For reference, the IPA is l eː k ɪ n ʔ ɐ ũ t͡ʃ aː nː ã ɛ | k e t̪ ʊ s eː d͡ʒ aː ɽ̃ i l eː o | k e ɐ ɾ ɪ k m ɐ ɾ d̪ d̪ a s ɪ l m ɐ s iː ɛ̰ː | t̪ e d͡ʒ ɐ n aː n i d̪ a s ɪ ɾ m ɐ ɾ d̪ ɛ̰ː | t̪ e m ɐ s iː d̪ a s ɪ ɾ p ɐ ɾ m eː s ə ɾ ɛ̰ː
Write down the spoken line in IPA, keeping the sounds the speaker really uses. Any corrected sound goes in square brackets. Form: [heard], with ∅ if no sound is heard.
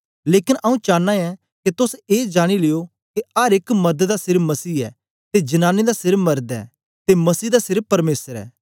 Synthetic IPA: l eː k ɪ n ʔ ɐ ũ t͡ʃ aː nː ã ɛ | k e t̪ ʊ s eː d͡ʒ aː ɽ̃ i l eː o | k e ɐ ɾ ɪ k m ɐ ɾ d̪ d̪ a s ɪ [ɾ] m ɐ s iː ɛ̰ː | t̪ e d͡ʒ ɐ n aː n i d̪ a s ɪ ɾ m ɐ ɾ d̪ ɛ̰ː | t̪ e m ɐ s iː d̪ a s ɪ ɾ p ɐ ɾ m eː s ə ɾ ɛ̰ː